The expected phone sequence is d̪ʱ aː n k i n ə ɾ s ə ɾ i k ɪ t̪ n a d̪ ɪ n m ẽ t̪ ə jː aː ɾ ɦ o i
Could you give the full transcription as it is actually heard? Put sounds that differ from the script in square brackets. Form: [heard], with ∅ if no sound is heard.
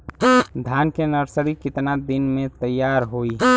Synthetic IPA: d̪ʱ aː n k [e] n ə ɾ s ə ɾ i k ɪ t̪ n a d̪ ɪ n m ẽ t̪ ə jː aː ɾ ɦ o i